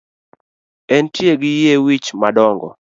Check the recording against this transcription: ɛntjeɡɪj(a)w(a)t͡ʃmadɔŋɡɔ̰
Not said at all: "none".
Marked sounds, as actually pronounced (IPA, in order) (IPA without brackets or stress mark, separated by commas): e, i